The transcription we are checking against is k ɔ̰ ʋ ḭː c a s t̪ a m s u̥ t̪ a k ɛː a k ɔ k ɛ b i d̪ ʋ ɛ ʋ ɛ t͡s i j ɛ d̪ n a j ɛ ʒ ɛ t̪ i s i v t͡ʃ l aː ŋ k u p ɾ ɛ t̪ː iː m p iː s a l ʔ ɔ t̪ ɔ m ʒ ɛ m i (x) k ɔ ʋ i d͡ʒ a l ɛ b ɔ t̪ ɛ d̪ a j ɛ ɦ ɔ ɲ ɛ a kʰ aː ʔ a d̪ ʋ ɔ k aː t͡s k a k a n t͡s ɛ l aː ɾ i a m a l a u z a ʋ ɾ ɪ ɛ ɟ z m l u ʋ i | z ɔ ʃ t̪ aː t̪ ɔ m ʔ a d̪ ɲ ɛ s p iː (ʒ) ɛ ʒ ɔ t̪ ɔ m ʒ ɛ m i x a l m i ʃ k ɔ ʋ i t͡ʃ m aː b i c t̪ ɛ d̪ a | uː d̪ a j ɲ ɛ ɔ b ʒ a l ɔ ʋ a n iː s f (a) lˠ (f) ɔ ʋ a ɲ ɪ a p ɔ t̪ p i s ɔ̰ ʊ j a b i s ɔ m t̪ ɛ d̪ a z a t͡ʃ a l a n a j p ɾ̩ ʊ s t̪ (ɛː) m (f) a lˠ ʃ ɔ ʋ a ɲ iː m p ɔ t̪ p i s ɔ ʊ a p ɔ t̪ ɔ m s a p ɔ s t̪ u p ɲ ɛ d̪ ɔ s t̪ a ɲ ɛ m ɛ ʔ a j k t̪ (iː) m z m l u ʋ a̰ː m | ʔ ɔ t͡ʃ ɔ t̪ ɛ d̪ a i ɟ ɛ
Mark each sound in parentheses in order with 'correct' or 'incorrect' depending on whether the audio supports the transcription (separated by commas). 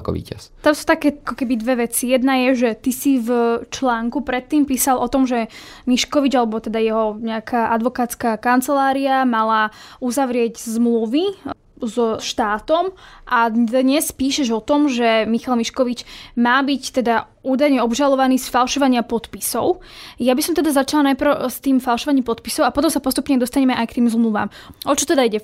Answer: incorrect, incorrect, correct, incorrect, incorrect, correct, correct